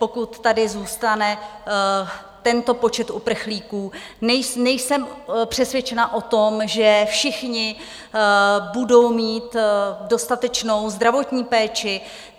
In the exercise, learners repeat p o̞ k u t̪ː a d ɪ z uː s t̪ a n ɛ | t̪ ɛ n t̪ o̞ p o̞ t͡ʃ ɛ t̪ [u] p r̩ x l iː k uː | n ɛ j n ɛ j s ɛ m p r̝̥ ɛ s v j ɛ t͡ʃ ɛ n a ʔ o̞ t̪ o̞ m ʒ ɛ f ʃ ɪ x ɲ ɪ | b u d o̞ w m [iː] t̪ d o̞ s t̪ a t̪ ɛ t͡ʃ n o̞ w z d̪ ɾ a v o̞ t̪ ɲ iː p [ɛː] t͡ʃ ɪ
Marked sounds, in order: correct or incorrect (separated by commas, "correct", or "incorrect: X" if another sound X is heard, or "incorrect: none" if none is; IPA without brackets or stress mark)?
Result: correct, correct, correct